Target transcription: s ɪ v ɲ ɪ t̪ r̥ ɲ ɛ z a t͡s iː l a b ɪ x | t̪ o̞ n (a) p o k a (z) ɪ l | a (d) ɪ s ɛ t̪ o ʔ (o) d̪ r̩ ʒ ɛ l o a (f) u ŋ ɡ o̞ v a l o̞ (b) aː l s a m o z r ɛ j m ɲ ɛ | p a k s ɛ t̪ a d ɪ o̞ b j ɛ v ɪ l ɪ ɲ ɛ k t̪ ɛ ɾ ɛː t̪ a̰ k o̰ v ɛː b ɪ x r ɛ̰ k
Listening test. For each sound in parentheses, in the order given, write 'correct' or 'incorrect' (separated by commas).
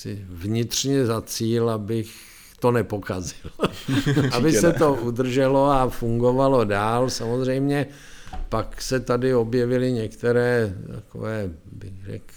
incorrect, correct, incorrect, incorrect, correct, incorrect